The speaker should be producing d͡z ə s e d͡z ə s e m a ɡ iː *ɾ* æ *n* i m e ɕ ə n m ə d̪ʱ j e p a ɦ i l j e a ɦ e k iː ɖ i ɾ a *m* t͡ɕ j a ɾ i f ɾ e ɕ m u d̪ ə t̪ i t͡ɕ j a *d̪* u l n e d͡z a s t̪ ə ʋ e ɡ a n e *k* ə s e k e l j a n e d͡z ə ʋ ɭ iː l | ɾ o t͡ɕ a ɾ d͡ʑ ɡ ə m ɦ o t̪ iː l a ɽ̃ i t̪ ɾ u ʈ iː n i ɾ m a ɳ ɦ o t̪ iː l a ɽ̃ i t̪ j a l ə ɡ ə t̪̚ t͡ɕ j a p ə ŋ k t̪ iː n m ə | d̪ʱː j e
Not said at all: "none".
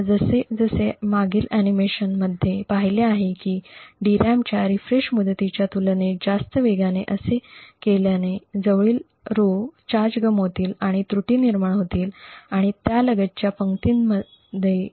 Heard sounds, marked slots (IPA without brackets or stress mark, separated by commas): l, n, m, t̪, ʔ